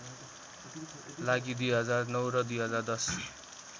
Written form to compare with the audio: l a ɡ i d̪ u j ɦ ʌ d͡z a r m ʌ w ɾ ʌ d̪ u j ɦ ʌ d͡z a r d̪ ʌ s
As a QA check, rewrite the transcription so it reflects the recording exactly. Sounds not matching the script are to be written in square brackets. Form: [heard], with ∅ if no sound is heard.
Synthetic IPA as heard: l a ɡ i d̪ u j ɦ ʌ d͡z a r [n] ʌ w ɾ ʌ d̪ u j ɦ ʌ d͡z a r d̪ ʌ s